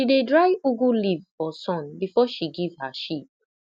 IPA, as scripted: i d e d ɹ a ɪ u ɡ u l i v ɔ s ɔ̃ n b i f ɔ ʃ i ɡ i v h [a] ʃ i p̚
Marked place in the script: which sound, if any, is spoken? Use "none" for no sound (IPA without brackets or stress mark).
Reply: a